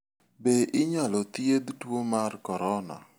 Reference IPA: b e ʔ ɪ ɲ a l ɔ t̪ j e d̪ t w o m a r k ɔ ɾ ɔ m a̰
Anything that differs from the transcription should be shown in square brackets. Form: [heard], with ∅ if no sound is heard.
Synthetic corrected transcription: b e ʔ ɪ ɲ a l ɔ t̪ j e d̪ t w o m a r k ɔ ɾ ɔ [n] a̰